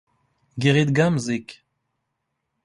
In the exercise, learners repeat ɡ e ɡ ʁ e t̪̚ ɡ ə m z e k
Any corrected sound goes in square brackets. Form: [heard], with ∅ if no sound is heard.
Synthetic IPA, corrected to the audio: ɡ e [∅] ʁ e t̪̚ ɡ [a] m z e k